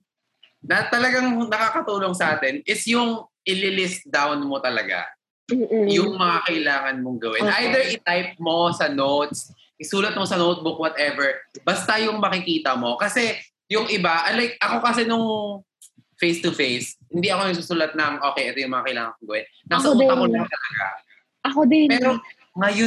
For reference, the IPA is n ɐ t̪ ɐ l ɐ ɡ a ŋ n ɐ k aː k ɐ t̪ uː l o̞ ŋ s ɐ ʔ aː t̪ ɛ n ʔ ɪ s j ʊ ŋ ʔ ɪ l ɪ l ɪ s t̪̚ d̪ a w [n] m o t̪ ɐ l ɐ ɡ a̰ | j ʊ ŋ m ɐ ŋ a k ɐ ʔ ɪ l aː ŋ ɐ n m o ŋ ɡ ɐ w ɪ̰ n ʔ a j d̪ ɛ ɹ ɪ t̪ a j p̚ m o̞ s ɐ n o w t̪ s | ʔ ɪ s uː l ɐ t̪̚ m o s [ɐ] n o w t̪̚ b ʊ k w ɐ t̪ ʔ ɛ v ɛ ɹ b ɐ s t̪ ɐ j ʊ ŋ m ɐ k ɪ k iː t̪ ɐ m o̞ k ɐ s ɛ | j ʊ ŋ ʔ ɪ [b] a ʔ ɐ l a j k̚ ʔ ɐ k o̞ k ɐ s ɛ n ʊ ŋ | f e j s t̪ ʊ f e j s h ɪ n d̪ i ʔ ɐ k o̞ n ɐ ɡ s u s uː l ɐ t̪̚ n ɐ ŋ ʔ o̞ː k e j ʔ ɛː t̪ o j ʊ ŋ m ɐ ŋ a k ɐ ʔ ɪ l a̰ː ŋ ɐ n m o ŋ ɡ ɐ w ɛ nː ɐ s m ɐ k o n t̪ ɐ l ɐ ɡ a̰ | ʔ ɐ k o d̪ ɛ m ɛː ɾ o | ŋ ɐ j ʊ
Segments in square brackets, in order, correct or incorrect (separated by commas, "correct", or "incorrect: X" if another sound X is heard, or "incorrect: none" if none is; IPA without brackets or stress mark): correct, correct, correct